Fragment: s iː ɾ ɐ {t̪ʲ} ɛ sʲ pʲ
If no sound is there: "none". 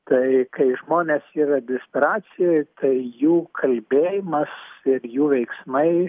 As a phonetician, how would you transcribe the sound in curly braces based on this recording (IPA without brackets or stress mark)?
d̪ʲ